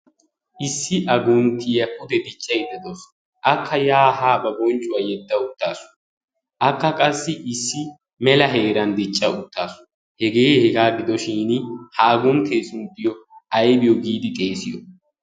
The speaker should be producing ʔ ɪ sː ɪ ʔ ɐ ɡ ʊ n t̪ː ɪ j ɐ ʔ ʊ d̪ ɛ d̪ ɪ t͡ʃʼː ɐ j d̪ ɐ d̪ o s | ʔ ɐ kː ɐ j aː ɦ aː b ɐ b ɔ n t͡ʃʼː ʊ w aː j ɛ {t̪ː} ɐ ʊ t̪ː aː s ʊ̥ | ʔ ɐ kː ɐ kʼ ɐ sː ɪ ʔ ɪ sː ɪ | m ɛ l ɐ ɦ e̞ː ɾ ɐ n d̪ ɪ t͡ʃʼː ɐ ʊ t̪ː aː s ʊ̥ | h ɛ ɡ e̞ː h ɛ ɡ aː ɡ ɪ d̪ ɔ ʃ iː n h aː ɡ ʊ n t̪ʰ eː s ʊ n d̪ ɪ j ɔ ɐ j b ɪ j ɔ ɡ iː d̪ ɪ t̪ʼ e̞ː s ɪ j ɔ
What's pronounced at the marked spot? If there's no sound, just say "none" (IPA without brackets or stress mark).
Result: d̪ː